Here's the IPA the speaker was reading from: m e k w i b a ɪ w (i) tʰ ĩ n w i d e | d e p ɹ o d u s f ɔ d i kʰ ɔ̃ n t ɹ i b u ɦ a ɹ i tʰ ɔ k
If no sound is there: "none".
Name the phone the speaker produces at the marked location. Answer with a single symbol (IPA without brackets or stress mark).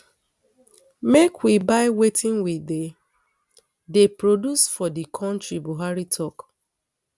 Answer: e